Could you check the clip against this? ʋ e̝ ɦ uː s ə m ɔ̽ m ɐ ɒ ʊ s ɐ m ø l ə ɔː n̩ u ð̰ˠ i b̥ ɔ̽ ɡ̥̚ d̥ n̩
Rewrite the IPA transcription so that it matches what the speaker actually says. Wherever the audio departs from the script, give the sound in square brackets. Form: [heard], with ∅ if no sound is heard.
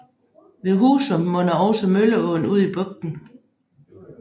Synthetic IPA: ʋ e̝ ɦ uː s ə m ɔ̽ [n] ɐ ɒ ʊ s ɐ m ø l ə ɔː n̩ u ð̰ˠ i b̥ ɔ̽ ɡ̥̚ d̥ n̩